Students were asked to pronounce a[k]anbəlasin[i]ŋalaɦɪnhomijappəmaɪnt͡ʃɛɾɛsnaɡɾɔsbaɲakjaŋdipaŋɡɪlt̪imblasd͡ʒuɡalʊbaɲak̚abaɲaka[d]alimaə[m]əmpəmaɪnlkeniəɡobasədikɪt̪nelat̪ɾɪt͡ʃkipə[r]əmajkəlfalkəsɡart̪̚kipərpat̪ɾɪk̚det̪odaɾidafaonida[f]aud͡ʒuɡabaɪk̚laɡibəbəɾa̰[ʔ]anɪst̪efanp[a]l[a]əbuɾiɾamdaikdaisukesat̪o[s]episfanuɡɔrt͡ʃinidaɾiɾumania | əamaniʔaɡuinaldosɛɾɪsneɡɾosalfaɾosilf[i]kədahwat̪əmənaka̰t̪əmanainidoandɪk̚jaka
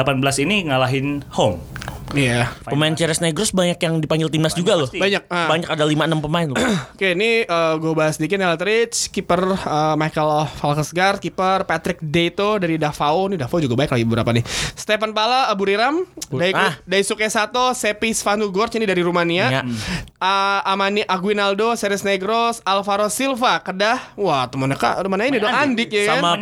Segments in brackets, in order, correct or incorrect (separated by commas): incorrect, correct, correct, incorrect, correct, correct, incorrect, correct, correct, correct, incorrect